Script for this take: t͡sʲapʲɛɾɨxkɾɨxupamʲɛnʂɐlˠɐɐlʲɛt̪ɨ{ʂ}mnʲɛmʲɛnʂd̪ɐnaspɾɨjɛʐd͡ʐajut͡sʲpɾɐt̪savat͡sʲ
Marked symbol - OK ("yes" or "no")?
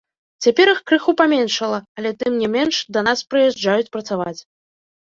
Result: no